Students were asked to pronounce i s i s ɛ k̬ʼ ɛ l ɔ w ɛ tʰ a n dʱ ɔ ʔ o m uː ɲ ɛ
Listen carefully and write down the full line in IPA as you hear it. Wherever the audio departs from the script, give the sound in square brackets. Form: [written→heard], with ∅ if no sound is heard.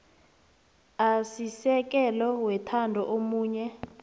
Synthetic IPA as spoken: [i→a] s i s ɛ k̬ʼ ɛ l ɔ w ɛ tʰ a n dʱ ɔ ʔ o m uː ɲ ɛ